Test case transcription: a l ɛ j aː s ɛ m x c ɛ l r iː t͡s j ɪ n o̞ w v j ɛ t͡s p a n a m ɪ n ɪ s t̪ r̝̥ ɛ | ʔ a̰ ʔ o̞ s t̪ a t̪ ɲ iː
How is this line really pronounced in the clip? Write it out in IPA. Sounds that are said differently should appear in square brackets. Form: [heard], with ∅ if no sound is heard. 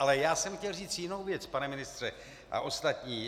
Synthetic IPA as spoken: a l ɛ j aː s ɛ m x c ɛ l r iː t͡s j ɪ n o̞ w v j ɛ t͡s p a n [ɛ] m ɪ n ɪ s t̪ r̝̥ ɛ | ʔ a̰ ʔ o̞ s t̪ a t̪ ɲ iː